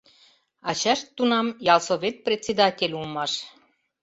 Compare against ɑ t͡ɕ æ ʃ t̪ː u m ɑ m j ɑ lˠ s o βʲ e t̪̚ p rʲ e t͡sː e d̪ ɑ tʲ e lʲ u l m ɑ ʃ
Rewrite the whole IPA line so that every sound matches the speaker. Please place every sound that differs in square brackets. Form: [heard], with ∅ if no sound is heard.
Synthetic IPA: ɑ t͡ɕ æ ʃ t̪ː u [n] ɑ m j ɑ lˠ s o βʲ e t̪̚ p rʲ e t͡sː e d̪ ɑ tʲ e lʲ u l m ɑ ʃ